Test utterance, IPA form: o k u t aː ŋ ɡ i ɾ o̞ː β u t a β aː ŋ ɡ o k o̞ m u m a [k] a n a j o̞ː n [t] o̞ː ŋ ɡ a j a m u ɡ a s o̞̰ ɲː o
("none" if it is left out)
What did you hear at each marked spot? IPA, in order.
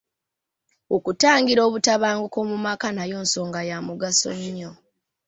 k, s

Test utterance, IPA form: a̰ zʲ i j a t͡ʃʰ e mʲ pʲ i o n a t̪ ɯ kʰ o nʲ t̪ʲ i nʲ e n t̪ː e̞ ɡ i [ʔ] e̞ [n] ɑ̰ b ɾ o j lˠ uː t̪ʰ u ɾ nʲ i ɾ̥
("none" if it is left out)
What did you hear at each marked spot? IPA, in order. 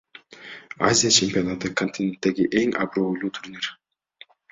ʔ, ŋ

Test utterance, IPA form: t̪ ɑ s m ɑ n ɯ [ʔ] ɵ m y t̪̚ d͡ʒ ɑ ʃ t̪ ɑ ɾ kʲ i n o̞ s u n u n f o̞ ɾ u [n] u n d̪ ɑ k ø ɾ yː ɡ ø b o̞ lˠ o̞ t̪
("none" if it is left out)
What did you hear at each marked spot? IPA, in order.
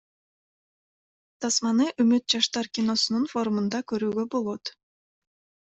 ʔ, m

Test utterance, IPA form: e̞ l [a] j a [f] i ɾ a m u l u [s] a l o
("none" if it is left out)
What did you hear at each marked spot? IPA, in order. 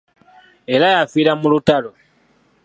a, f, t

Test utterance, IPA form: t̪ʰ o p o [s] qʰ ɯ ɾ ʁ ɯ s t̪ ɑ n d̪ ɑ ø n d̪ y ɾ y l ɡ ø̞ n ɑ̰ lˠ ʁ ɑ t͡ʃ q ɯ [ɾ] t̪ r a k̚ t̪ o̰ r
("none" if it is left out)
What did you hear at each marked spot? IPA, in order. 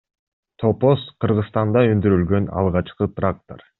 s, none

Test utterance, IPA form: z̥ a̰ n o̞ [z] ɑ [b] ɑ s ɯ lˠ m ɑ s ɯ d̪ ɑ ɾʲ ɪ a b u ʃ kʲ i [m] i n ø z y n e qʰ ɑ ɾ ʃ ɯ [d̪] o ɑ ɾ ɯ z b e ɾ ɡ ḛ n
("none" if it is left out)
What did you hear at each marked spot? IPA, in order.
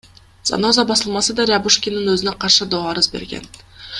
z, b, n, d̪

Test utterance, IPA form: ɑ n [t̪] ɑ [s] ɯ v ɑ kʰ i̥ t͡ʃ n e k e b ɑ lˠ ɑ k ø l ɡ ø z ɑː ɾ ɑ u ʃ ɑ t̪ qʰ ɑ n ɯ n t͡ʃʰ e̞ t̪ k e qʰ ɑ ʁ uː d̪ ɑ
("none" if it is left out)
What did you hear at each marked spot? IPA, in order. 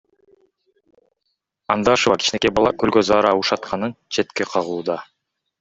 d̪, ʃ

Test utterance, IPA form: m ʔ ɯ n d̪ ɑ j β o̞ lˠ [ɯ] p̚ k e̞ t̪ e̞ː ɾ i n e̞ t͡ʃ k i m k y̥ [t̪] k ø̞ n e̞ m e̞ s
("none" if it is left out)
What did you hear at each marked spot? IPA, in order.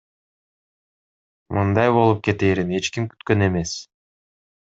u, t̪

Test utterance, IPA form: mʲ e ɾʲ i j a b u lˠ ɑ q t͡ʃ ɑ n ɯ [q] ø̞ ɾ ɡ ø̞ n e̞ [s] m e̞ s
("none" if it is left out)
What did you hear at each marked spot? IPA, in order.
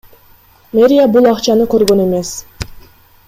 k, none

